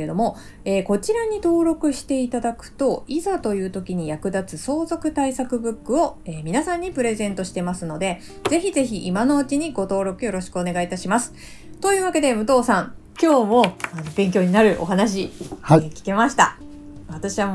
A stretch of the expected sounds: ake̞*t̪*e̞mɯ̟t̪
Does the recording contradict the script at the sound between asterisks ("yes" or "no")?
yes